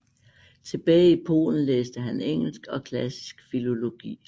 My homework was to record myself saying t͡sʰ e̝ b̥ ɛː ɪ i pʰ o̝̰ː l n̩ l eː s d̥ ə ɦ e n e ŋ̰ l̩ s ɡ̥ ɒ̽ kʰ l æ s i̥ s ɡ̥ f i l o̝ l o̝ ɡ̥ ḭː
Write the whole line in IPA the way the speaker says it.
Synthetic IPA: t͡sʰ e̝ b̥ ɛː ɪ i pʰ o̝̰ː l n̩ l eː s d̥ ə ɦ æ n e ŋ̰ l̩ s ɡ̥ ɒ̽ kʰ l æ s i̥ s ɡ̥ f i l o̝ l o̝ ɡ̥ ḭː